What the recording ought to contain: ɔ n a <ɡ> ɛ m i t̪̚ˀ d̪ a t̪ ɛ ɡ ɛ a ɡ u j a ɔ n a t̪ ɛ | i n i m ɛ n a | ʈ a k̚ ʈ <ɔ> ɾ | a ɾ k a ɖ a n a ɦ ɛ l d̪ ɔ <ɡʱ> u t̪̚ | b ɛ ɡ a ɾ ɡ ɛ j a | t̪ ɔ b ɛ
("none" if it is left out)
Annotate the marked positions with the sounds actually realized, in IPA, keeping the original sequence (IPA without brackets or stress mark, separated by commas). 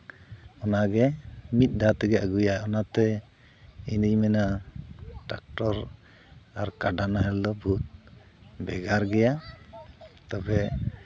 ɡ, ɔ, bʱ